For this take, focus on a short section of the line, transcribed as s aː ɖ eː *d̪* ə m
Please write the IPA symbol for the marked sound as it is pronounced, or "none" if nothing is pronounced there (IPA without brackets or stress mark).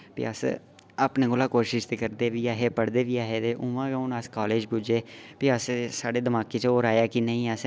d̪